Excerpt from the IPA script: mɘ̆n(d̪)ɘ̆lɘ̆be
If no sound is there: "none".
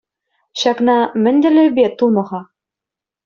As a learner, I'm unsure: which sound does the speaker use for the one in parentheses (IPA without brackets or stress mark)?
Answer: d̪